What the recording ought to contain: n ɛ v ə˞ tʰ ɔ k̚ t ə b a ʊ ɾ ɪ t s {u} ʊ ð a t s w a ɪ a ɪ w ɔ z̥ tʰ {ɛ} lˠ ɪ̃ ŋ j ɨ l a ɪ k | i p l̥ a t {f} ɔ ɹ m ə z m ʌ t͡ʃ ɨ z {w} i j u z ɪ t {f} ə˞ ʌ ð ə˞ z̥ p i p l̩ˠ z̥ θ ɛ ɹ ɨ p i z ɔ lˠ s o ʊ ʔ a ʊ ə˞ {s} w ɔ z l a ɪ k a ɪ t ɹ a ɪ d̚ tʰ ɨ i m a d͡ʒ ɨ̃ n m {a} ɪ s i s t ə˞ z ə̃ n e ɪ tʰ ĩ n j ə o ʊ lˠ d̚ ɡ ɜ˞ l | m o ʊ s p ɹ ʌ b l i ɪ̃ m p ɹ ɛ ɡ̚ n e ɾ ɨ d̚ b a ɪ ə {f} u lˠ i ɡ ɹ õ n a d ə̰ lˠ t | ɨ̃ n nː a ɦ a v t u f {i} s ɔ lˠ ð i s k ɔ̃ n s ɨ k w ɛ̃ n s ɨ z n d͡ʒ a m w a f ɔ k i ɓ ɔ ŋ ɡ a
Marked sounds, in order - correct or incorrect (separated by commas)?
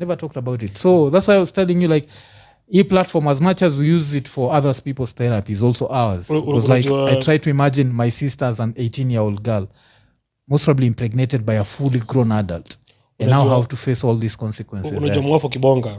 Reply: incorrect, correct, correct, correct, correct, incorrect, correct, correct, incorrect